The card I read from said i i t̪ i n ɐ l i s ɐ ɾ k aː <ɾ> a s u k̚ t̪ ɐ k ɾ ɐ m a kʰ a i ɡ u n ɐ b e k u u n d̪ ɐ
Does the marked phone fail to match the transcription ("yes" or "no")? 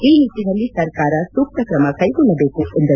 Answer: no